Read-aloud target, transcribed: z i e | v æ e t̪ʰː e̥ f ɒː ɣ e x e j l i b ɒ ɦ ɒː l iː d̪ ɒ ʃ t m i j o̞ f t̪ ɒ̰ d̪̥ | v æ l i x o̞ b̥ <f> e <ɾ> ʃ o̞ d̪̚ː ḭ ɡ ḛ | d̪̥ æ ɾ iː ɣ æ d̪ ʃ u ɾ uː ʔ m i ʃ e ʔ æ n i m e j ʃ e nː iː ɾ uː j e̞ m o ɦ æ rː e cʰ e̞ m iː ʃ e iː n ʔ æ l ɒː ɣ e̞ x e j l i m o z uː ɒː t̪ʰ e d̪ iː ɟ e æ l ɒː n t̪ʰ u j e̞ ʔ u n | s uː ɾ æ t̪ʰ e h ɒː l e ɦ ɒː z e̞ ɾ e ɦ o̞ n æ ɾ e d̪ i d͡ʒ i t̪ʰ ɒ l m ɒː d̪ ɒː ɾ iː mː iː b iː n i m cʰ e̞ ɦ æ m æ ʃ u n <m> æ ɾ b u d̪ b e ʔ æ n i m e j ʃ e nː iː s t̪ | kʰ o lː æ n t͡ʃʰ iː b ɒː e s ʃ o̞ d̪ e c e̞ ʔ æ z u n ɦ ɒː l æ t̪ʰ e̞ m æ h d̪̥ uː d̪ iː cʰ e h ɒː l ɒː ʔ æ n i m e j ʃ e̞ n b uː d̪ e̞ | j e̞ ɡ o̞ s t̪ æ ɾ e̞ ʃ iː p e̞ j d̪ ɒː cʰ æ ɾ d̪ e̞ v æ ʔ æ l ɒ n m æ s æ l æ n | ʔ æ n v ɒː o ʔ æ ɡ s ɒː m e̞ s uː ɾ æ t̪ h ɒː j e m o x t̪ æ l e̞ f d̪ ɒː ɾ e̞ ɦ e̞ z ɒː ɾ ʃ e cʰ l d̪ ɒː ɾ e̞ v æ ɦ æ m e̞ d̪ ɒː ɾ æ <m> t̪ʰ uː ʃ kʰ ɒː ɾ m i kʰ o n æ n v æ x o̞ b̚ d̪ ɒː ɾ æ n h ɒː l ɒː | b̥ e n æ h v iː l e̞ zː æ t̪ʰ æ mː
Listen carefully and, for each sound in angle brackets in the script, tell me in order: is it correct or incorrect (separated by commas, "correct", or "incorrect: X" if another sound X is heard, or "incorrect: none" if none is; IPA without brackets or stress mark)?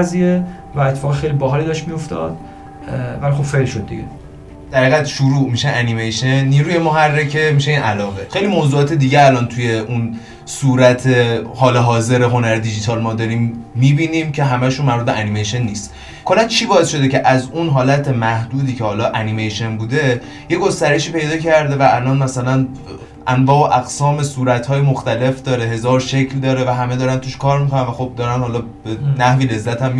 correct, incorrect: l, correct, incorrect: n